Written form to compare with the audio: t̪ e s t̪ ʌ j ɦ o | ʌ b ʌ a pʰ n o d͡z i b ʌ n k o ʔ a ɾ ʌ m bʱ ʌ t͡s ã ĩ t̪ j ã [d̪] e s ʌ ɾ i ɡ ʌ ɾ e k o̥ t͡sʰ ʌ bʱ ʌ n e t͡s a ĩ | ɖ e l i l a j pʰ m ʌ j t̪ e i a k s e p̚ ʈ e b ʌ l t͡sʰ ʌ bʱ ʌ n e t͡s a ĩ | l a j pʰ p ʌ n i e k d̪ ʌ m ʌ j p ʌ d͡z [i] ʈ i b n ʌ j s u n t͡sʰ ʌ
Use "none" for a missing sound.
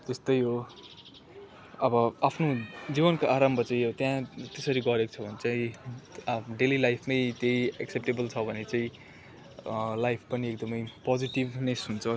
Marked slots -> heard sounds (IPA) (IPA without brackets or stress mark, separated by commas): t̪, i